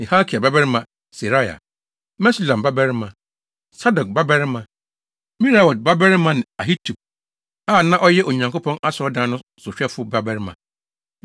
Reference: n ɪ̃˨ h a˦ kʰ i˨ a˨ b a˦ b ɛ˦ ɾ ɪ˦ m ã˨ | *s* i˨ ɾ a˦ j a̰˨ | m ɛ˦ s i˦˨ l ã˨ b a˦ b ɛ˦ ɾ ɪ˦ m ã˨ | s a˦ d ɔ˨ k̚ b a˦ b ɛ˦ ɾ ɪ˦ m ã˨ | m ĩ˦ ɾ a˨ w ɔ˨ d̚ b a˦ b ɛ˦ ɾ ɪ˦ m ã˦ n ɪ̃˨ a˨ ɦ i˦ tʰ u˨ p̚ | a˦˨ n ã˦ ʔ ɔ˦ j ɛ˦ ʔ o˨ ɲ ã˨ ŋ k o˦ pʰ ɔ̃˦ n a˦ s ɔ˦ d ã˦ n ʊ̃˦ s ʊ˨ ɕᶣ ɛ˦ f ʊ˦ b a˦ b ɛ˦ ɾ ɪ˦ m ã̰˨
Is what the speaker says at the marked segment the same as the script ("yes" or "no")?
yes